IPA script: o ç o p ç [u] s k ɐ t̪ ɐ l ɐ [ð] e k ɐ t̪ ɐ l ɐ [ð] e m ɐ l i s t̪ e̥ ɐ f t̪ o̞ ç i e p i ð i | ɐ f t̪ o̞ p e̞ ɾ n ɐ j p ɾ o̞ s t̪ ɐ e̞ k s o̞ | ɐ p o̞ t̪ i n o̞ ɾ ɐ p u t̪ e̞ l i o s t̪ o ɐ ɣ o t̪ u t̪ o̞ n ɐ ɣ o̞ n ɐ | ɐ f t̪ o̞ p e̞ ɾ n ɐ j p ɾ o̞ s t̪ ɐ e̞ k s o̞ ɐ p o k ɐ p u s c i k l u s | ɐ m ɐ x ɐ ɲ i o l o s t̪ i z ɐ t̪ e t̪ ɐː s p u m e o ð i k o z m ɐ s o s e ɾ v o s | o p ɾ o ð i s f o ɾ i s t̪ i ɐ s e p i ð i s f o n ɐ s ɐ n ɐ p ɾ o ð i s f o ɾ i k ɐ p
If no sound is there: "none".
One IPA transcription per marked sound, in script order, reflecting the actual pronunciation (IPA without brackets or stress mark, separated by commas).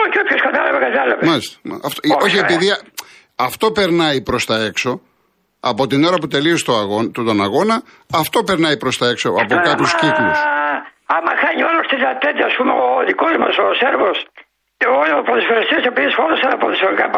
o, v, v